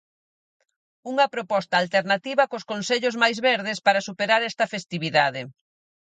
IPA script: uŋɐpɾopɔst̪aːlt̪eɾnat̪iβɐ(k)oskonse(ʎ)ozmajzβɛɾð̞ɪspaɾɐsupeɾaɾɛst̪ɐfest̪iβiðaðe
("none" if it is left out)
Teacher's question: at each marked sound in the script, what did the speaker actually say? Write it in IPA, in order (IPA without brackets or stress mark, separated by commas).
k, ʎ